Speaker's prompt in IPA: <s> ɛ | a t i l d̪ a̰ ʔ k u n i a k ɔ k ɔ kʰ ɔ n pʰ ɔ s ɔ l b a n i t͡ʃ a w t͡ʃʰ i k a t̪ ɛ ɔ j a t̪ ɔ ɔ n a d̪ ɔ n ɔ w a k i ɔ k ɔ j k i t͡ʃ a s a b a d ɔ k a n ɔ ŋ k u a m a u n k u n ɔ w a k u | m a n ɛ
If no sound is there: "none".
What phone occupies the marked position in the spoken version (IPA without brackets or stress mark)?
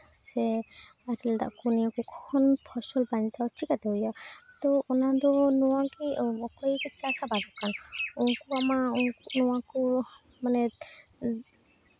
s